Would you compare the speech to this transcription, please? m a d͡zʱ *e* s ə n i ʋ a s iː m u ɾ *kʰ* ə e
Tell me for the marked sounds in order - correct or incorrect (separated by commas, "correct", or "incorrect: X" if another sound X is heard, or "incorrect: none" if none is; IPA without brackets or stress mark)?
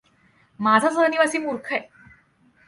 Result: incorrect: a, correct